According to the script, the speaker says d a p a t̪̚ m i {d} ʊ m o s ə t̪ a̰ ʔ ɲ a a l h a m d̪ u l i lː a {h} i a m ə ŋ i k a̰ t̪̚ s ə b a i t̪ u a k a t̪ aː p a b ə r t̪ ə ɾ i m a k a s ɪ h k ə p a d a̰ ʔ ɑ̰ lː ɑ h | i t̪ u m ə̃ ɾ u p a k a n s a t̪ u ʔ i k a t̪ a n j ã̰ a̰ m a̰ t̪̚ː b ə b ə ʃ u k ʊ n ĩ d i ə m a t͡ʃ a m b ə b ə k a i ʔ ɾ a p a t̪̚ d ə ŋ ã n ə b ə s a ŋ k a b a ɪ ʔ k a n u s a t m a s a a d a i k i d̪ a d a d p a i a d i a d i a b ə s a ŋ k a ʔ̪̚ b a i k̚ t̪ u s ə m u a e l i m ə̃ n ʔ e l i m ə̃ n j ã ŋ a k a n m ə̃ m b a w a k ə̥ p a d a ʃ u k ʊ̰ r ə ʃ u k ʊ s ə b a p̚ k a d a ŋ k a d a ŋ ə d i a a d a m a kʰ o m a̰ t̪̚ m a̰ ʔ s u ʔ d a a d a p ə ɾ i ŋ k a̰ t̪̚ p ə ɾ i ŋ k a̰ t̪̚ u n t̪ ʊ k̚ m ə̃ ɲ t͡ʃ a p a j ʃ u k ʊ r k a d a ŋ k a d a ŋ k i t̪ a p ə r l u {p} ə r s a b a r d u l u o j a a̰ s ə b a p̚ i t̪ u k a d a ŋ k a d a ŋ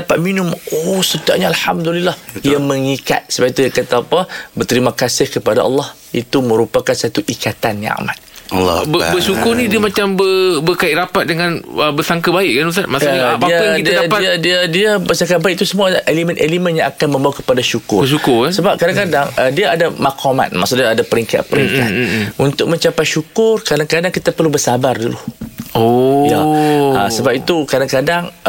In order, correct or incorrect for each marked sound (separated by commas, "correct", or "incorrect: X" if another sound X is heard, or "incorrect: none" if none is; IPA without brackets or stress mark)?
incorrect: n, correct, incorrect: b